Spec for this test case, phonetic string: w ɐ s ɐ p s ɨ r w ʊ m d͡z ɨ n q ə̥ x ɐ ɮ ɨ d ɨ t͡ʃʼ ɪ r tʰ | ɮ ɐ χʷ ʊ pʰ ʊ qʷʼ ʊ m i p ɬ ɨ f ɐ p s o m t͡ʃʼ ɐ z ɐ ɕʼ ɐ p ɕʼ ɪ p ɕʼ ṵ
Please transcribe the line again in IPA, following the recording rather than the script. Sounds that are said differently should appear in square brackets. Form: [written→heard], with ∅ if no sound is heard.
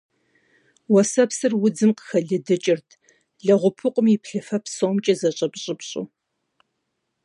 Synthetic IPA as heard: w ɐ s ɐ p s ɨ r w ʊ [m→∅] d͡z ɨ [n→m] q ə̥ x ɐ ɮ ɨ d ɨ t͡ʃʼ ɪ r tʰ | ɮ ɐ [χʷ→ʁʷ] ʊ pʰ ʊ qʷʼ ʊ m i p ɬ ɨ f ɐ p s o m t͡ʃʼ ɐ z ɐ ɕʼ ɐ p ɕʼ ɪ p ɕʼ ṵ